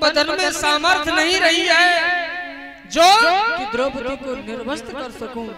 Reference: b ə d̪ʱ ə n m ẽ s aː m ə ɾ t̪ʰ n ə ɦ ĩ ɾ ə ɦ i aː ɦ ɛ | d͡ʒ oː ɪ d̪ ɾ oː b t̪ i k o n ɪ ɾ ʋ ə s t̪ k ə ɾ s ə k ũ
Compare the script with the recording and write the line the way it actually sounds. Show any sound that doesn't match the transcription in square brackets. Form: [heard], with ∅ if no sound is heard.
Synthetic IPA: b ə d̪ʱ ə n m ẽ s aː m ə ɾ t̪ʰ n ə ɦ ĩ ɾ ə ɦ i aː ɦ [e] | d͡ʒ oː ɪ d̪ ɾ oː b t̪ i k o n ɪ ɾ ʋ ə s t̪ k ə ɾ s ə k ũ